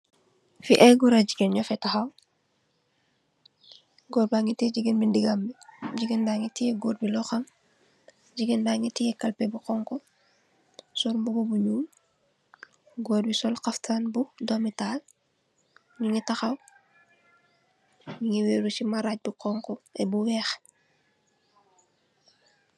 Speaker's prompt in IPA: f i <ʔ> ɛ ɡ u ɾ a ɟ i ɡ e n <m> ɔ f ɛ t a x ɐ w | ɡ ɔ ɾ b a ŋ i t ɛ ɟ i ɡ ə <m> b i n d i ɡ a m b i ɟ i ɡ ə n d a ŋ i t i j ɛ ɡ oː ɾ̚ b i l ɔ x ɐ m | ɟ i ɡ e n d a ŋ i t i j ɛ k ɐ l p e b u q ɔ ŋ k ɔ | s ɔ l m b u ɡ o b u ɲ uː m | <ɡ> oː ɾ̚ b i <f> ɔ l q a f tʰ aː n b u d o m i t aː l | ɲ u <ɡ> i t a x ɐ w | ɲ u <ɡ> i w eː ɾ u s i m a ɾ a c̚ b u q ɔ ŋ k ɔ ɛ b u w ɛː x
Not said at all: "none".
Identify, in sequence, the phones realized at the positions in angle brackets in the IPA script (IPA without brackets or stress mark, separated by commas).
ʔ, ɲ, n, ɡ, s, ŋ, ŋ